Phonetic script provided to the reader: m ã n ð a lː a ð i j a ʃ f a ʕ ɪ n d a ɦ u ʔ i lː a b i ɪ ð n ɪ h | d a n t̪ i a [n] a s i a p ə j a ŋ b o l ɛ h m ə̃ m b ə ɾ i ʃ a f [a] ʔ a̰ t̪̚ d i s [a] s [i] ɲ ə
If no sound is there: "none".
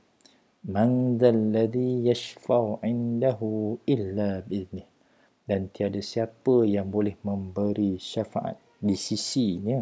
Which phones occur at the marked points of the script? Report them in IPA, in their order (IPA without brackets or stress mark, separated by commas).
d, a, i, i